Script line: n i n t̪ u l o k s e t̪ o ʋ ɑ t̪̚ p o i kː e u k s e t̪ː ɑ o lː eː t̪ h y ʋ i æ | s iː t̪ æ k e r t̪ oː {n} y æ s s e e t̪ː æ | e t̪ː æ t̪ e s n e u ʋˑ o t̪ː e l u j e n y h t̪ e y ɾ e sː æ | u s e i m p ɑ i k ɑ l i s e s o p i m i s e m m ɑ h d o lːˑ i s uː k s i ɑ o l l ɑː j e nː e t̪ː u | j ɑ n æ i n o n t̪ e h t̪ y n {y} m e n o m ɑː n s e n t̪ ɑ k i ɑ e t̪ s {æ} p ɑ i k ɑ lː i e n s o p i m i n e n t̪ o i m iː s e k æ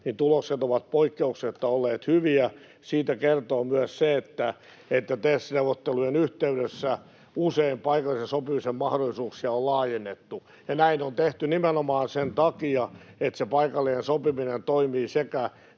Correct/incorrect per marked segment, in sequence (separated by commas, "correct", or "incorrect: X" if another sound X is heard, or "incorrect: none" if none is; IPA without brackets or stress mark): incorrect: m, incorrect: i, incorrect: e